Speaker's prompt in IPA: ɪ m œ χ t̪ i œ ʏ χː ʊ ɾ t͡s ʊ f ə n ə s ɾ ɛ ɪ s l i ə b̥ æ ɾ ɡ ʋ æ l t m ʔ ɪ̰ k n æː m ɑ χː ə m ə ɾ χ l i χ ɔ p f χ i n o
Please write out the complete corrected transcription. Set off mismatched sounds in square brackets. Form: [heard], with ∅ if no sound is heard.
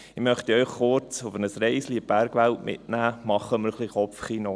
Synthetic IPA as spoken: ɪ m œ χ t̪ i œ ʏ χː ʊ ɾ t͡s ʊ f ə n ə s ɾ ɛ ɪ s l i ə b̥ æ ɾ ɡ ʋ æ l t m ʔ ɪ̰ [t] n æː m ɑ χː ə m ə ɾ χ l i χ ɔ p f χ i n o

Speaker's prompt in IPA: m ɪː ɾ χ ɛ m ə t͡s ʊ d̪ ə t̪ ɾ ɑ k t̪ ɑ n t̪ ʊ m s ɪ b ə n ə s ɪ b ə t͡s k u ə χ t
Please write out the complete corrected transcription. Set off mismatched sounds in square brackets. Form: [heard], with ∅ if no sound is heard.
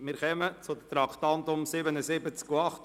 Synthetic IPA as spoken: m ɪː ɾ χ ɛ m ə t͡s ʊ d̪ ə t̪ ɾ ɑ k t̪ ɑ n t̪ ʊ m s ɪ b ə n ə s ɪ b ə t͡s k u [ɑ] χ t

